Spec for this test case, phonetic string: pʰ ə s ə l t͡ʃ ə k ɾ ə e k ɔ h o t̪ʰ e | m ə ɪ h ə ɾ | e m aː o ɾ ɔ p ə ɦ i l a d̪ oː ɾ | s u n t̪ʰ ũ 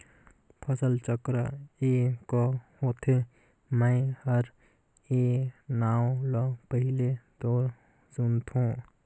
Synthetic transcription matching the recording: pʰ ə s ə l t͡ʃ ə k ɾ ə e k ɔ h o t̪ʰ e | m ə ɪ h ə ɾ | e n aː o l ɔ p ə ɦ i l e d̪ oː ɾ | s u n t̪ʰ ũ